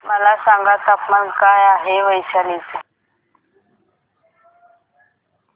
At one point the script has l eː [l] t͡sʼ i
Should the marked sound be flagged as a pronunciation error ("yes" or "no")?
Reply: yes